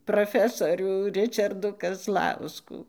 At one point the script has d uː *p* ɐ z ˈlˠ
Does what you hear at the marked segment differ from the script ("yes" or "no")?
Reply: yes